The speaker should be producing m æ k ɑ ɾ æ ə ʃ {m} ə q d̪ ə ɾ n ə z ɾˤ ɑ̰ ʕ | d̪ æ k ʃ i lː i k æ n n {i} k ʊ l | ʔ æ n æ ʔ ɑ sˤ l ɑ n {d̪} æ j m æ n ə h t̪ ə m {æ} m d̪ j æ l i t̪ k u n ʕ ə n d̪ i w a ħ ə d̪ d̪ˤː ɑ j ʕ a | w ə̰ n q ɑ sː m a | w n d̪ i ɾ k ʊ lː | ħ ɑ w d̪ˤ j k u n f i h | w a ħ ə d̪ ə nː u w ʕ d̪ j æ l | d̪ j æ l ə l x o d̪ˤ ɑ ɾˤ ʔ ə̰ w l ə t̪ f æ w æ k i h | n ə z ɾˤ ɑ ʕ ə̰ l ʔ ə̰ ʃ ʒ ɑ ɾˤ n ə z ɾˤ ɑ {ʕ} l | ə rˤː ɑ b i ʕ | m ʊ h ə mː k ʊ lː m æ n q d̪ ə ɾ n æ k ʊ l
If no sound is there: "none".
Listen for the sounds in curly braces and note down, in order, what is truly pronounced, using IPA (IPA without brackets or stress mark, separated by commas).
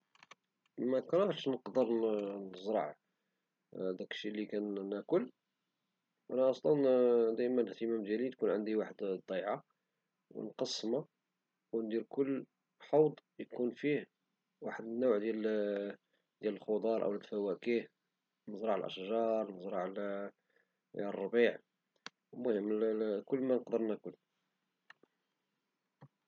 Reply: n, æ, d̪, æ, ʕ